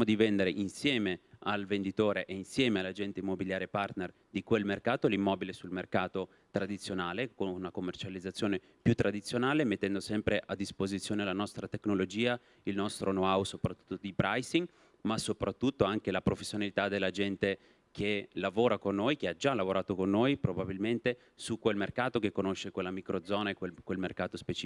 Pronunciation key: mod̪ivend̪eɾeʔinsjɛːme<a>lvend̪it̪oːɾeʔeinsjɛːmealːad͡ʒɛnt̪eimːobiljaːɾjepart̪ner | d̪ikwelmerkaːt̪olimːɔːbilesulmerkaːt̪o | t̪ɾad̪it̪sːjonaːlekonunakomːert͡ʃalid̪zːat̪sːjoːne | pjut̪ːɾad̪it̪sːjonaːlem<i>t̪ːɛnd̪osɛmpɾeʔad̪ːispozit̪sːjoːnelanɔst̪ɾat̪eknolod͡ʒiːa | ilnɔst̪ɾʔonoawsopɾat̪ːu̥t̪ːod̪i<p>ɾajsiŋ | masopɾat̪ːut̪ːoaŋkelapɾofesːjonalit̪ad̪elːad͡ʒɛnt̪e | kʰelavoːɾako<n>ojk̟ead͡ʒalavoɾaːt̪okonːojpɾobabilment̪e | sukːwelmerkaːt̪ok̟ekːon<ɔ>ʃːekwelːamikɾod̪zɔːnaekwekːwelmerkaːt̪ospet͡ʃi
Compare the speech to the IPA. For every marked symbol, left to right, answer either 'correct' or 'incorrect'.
correct, incorrect: e, correct, incorrect: nː, incorrect: o

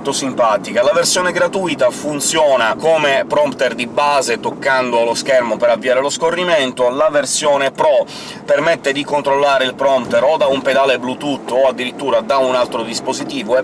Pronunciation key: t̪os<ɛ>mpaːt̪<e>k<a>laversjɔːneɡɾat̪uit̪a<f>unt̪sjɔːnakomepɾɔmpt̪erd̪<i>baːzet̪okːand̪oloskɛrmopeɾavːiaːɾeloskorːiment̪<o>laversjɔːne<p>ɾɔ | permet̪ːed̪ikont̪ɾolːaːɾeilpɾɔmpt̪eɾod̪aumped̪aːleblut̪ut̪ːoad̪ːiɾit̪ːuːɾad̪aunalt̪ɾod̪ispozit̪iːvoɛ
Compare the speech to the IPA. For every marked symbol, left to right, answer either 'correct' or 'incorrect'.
incorrect: i, incorrect: i, correct, correct, correct, correct, correct

